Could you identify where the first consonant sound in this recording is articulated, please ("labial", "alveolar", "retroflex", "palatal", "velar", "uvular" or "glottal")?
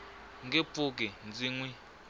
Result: velar